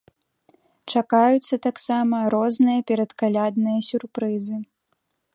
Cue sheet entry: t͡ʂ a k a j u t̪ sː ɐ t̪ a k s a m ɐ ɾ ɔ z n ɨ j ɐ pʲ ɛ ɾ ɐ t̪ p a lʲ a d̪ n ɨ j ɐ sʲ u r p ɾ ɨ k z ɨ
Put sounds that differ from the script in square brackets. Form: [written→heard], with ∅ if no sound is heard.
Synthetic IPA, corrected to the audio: t͡ʂ a k a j u t̪ sː ɐ t̪ a k s a m ɐ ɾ ɔ z n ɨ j ɐ pʲ ɛ ɾ ɐ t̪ [p→k] a lʲ a d̪ n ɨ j ɐ sʲ u r p ɾ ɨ [k→∅] z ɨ